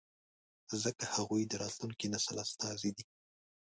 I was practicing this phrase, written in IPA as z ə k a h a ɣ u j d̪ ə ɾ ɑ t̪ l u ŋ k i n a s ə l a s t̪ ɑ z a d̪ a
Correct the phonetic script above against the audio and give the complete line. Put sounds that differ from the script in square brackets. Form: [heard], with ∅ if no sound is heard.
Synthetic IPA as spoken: z ə k a h a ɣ u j d̪ ə ɾ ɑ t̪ l u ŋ k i n a s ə l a s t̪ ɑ z [i] d̪ [i]